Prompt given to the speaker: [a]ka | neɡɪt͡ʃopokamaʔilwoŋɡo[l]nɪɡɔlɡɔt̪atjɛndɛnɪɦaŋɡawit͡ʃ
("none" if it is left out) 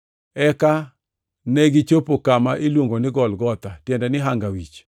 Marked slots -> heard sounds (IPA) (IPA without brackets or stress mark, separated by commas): ɛ, none